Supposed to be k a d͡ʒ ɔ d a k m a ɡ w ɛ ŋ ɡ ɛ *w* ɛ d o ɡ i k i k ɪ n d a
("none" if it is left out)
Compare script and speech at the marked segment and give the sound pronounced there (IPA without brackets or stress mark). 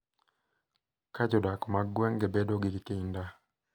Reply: b